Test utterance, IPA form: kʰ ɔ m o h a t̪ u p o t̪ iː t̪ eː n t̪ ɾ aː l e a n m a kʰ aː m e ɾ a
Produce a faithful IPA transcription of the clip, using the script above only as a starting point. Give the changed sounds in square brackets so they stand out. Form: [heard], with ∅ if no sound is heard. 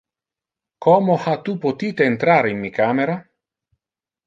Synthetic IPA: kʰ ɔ m o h a t̪ u p o t̪ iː t̪ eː n t̪ ɾ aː [ɾ] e [i] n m [i] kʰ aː m e ɾ a